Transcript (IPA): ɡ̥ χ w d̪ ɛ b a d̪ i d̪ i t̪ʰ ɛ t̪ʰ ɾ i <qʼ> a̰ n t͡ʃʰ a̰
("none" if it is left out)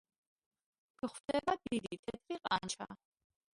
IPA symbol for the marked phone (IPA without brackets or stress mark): qʼ